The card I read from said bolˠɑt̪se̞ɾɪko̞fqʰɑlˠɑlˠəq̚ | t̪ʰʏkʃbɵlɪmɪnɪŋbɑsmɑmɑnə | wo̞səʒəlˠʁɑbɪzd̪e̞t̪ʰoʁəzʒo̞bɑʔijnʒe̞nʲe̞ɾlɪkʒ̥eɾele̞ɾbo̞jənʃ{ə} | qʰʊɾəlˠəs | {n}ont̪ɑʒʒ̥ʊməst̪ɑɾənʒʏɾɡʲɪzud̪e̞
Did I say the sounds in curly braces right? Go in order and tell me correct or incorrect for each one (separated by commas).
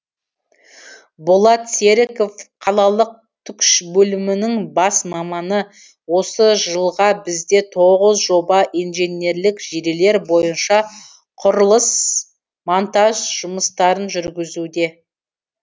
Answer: incorrect, incorrect